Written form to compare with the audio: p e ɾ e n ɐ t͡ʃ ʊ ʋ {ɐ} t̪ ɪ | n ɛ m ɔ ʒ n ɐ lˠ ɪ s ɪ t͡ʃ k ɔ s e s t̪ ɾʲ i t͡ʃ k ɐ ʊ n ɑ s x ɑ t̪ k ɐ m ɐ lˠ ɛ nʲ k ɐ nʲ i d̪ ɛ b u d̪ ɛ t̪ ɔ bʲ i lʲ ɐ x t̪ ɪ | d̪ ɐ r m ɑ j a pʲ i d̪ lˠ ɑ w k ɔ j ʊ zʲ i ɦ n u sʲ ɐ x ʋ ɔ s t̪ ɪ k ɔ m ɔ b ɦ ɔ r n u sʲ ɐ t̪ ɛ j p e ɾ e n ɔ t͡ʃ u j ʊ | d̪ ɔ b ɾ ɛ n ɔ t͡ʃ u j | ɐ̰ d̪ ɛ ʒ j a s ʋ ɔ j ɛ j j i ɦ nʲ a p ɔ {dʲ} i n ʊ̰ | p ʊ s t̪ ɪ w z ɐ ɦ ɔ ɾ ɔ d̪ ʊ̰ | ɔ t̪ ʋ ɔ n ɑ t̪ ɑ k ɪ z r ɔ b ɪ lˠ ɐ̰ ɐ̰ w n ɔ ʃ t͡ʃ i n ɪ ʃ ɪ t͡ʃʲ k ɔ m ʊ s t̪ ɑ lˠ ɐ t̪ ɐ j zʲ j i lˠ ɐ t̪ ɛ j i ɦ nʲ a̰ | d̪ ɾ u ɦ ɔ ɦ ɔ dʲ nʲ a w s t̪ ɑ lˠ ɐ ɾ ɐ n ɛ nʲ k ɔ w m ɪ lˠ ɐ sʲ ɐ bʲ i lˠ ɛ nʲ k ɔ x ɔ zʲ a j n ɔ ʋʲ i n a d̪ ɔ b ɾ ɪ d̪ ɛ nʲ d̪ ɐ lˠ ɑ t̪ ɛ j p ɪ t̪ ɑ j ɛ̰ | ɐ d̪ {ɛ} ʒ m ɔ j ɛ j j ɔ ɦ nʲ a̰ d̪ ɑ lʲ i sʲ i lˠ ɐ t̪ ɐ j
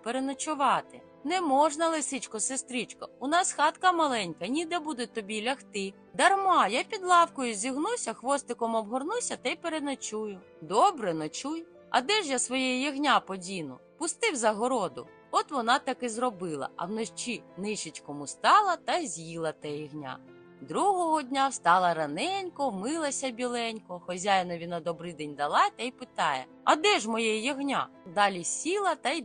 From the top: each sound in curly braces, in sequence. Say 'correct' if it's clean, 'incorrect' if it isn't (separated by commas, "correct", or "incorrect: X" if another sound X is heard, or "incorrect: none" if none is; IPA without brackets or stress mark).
incorrect: ɑ, correct, correct